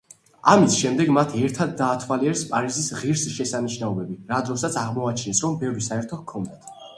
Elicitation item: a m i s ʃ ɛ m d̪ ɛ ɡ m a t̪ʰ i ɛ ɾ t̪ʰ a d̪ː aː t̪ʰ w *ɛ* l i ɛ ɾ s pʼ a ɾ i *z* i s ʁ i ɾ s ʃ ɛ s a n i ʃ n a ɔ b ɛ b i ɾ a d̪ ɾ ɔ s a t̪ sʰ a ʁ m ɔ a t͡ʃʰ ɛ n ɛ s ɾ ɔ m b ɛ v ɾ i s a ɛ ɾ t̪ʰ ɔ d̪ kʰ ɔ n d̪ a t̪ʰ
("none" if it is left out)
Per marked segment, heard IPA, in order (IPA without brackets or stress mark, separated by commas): a, z